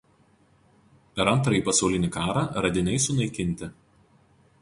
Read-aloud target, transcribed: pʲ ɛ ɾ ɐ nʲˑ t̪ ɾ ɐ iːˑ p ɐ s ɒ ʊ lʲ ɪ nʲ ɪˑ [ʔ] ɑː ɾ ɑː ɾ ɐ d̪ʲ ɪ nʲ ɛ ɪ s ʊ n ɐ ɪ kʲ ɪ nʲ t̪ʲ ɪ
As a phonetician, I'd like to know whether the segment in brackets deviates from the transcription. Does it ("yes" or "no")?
yes